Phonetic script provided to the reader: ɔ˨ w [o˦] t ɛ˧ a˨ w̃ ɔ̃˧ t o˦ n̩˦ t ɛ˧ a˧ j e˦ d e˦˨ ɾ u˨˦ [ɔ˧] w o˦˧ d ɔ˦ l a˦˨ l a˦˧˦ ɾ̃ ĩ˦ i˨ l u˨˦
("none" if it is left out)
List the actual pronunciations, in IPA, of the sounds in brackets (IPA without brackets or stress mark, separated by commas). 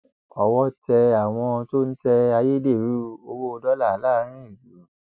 ɔ˦, o˧